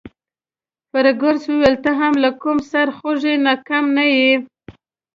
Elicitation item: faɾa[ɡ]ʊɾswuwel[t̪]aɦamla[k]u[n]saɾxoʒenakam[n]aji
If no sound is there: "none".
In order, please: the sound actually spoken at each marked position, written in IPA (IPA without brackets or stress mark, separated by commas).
ɡ, t̪, k, m, n